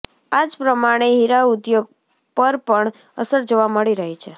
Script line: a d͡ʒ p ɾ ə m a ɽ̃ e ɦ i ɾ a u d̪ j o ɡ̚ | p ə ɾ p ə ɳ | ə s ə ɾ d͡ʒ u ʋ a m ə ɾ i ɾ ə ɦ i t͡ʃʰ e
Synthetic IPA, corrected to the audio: a d͡ʒ p ɾ ə m a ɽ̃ e ɦ i ɾ a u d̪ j o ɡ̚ | p ə ɾ p ə ɳ | ə s ə ɾ d͡ʒ o ʋ a m ə ɭ i ɾ ə ɦ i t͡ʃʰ e